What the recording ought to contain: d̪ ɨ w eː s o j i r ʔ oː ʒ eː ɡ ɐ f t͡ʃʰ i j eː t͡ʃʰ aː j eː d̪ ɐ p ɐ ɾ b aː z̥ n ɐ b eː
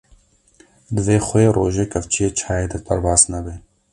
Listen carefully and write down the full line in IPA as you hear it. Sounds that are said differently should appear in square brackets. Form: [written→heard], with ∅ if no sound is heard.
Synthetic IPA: d̪ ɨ [w→v] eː [s→x] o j [i→e] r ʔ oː ʒ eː [ɡ→k] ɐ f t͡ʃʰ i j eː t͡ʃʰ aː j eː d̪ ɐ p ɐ ɾ b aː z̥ n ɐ b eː